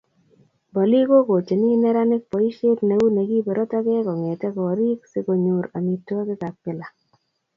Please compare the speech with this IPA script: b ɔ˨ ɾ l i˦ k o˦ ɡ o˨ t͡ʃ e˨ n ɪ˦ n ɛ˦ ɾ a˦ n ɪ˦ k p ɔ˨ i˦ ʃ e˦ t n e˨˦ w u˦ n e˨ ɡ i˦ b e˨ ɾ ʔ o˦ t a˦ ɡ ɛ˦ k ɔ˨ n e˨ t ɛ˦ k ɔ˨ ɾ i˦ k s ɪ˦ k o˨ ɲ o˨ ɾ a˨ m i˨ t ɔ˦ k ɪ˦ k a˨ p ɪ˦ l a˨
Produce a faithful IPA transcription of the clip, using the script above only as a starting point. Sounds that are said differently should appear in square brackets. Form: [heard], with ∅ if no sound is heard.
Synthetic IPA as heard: b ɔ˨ [∅] l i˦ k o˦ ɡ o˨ t͡ʃ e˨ n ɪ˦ n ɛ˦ ɾ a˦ n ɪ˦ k p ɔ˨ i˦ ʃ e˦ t n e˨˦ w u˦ n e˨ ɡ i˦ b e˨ ɾ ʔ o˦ t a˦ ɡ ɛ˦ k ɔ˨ [ŋ] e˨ t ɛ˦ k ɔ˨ ɾ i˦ k s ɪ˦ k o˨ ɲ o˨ ɾ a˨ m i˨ t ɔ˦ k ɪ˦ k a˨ p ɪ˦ l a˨